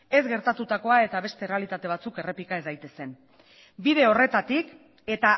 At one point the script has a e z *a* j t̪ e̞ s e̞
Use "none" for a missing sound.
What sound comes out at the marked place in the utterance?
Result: a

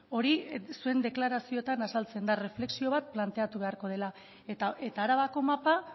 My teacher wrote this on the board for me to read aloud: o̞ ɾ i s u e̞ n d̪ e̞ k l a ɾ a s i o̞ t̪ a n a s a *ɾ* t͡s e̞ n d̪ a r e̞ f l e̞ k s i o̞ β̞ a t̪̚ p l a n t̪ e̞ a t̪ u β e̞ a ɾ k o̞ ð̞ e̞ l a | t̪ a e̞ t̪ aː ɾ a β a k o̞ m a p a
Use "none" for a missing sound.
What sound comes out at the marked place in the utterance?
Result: l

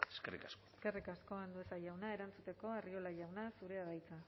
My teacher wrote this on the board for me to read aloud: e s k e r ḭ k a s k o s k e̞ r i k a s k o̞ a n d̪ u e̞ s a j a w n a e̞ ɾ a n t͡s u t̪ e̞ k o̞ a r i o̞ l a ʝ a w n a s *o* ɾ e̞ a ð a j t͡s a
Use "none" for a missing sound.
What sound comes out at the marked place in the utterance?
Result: u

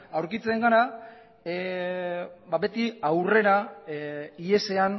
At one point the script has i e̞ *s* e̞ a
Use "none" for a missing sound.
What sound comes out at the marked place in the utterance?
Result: s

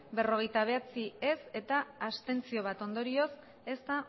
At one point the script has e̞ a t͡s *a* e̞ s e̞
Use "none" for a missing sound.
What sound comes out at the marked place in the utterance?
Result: i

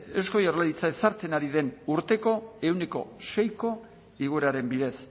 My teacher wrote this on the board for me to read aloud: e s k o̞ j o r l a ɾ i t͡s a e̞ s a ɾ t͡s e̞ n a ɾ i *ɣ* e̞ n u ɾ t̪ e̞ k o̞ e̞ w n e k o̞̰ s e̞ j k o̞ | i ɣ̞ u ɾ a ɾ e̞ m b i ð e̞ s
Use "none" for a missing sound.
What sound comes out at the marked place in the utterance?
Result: ð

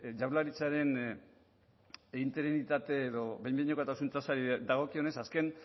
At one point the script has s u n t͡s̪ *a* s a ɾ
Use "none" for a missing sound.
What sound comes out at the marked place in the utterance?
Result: a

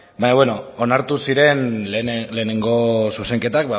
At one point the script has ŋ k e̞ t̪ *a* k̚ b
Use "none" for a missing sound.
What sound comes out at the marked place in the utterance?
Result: a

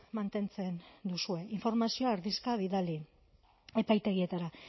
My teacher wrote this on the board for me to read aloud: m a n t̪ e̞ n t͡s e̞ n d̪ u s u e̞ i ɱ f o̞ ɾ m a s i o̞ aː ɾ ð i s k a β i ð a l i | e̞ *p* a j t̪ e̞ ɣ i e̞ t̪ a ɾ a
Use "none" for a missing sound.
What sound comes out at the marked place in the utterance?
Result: p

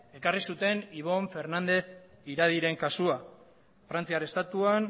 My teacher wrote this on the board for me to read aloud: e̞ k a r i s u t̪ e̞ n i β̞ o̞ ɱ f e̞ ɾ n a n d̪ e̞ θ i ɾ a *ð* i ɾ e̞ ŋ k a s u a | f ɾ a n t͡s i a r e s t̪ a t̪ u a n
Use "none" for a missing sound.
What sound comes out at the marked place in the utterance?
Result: ð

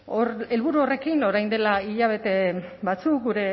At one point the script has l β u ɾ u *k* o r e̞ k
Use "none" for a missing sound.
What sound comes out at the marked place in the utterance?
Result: none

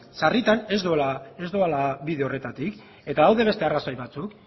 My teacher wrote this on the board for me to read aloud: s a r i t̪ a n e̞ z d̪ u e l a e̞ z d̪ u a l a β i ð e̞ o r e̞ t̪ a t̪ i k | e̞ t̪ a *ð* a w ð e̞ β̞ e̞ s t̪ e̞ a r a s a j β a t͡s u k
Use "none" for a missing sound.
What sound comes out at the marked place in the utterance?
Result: ð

